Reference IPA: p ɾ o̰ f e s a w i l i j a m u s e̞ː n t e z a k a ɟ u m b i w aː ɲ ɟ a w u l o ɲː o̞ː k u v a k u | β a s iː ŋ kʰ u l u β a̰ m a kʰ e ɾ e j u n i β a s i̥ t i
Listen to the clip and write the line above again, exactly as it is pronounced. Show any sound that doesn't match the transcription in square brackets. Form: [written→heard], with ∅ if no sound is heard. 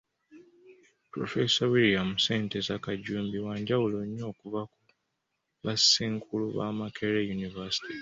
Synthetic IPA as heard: p ɾ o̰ f e s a w i l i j a m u s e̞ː n t e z a k a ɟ [u→uː] m b i w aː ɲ ɟ a w u l o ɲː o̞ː k u v a k u | β a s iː ŋ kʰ u l u β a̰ m a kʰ e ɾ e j u n i [β→v] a s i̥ t i